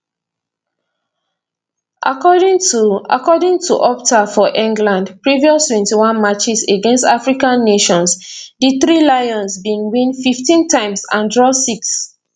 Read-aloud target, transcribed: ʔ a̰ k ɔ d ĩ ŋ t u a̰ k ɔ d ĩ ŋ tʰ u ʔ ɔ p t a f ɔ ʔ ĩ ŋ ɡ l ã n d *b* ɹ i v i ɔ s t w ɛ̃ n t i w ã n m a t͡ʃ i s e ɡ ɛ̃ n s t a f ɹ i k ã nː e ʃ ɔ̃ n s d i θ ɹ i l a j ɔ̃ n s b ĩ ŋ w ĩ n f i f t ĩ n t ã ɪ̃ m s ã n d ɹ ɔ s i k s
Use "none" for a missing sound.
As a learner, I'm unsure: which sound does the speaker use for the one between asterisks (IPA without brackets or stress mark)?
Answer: p